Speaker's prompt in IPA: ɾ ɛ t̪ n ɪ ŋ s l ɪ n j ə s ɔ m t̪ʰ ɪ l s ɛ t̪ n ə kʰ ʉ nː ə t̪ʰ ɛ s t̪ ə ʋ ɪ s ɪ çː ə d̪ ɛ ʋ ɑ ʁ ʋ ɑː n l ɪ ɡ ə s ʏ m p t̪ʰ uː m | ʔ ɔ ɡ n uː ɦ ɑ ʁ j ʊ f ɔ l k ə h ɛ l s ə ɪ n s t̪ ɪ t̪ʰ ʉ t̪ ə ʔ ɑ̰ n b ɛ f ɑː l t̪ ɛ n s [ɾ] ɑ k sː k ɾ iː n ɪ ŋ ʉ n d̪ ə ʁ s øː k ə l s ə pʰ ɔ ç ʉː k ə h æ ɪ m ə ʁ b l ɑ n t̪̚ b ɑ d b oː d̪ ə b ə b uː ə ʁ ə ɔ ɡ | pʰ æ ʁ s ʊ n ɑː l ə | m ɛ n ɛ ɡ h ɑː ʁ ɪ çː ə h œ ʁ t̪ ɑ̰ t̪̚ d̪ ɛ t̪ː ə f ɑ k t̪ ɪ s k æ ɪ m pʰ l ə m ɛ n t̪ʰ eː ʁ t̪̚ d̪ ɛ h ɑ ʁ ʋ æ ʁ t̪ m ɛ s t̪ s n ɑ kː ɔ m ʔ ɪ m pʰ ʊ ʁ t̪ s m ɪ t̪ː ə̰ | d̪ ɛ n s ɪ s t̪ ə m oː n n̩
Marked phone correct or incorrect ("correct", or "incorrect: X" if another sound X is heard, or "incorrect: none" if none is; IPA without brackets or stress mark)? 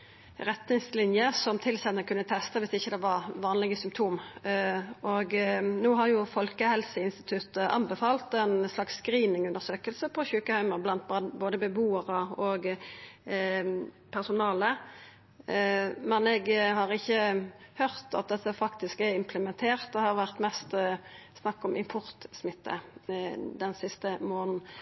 incorrect: l